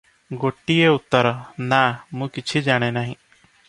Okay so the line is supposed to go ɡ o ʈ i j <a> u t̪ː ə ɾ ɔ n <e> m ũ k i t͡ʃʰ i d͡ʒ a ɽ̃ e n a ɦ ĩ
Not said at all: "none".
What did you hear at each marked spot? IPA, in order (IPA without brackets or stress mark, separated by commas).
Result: e, a